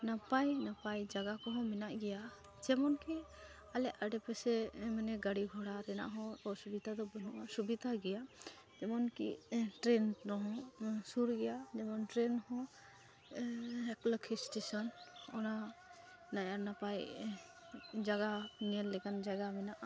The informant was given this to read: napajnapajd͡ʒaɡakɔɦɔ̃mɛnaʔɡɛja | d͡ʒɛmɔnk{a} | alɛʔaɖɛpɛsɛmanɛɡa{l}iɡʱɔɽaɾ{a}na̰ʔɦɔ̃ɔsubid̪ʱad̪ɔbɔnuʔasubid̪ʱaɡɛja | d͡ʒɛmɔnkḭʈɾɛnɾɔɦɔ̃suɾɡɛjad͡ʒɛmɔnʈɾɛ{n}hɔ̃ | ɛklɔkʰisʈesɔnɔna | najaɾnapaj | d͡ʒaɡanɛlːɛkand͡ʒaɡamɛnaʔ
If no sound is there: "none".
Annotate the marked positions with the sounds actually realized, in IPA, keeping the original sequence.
i, ɽ, ɛ, n

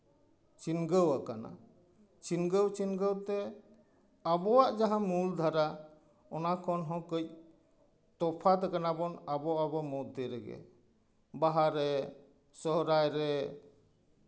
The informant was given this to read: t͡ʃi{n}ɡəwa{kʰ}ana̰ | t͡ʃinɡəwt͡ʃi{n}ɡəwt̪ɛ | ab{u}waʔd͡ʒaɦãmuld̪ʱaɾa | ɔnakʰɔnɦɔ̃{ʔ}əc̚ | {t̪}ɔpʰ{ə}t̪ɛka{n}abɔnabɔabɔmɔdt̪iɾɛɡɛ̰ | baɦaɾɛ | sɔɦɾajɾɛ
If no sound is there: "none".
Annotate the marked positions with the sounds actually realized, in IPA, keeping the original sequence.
n, k, n, ɔ, k, t̪, a, n

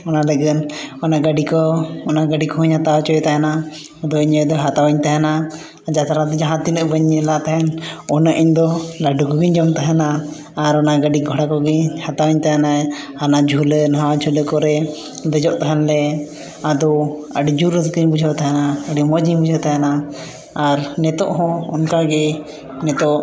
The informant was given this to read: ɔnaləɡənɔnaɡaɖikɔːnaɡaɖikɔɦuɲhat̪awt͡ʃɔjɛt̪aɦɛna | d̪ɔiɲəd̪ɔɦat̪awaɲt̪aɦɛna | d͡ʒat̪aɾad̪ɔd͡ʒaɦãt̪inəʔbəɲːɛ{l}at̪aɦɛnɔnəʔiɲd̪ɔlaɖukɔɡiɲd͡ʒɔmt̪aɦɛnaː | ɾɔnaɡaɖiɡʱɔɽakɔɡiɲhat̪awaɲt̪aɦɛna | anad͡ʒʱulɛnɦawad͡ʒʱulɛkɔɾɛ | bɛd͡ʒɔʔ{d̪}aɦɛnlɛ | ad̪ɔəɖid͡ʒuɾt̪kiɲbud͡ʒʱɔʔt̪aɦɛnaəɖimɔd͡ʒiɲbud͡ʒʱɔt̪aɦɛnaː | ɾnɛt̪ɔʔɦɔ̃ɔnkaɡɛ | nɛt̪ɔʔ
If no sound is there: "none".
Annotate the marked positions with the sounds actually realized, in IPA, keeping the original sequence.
l, t̪

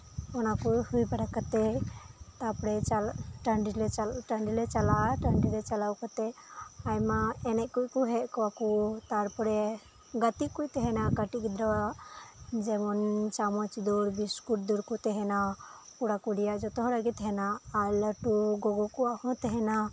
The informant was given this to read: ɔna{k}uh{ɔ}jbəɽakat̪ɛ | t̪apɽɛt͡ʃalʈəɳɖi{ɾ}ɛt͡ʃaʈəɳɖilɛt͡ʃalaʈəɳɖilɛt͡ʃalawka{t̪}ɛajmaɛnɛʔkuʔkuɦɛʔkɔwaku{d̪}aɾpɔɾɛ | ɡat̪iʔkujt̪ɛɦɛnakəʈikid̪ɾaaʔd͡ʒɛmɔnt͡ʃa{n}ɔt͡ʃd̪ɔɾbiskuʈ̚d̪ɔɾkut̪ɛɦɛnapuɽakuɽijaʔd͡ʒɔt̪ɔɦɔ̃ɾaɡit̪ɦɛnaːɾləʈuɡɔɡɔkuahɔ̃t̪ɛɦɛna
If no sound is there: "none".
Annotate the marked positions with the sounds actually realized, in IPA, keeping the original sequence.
k, u, l, t̪, t̪, m

